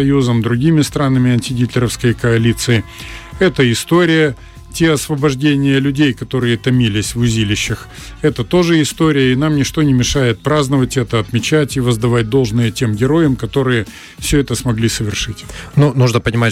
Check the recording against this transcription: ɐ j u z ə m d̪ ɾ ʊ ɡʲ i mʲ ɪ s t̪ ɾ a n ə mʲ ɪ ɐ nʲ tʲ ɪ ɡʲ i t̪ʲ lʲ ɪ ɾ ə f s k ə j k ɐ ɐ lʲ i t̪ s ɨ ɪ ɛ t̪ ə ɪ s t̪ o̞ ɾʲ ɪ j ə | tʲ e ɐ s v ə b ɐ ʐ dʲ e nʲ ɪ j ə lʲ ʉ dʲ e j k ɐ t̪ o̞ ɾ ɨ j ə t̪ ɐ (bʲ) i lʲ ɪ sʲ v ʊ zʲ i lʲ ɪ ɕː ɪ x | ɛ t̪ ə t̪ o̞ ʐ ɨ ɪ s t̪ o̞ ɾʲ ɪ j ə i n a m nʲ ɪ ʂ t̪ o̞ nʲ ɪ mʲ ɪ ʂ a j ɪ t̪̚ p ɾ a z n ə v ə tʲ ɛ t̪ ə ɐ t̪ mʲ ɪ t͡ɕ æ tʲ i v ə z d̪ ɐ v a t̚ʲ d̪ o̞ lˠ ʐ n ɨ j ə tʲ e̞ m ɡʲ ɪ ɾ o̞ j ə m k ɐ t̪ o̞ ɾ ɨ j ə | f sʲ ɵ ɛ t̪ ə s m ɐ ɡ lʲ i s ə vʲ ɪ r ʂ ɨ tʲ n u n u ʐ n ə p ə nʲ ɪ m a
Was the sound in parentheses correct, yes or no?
no